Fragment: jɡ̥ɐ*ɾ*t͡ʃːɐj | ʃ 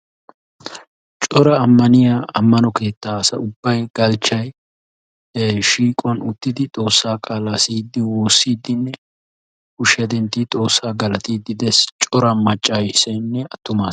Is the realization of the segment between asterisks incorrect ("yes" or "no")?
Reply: yes